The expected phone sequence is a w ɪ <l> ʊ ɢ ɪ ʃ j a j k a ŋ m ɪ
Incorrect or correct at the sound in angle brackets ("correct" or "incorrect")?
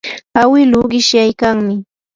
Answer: correct